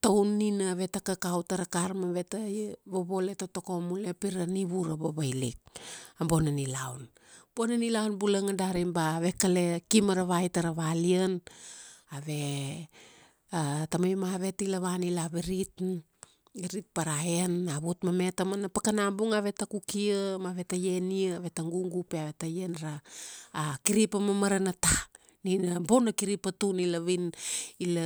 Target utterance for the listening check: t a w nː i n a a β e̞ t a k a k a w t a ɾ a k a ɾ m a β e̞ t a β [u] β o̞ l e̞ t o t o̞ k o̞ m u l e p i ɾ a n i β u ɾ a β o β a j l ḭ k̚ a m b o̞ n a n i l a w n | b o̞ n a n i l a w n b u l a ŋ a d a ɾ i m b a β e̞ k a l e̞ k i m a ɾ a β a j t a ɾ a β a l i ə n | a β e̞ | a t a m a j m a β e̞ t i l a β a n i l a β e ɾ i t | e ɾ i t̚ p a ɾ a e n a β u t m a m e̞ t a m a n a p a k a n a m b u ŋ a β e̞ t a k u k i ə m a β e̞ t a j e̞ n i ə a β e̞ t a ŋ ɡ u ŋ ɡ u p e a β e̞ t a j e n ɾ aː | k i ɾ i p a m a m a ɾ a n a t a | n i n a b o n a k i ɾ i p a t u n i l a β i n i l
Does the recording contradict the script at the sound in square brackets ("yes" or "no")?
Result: yes